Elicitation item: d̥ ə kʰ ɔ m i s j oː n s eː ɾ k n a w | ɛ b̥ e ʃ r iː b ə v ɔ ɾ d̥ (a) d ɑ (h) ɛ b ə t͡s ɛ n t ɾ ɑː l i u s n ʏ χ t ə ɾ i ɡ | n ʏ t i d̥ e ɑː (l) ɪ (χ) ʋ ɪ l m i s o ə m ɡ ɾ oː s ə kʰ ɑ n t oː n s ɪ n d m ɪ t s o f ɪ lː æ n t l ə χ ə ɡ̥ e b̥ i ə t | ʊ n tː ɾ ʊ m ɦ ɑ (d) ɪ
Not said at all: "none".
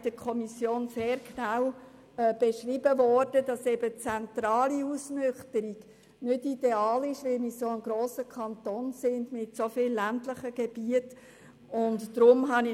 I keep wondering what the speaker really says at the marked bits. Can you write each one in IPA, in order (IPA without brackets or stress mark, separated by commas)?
ə, s, l, ʃ, n